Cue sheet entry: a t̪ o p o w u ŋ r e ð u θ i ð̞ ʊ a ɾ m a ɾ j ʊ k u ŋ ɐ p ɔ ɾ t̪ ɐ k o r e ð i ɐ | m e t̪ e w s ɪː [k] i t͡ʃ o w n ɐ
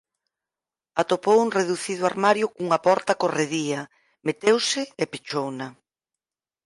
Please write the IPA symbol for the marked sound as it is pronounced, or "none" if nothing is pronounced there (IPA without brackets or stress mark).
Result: p